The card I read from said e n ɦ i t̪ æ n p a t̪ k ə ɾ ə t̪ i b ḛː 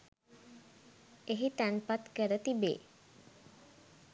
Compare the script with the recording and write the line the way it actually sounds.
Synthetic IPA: e ɦ i t̪ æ n p a t̪ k ə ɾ ə t̪ i b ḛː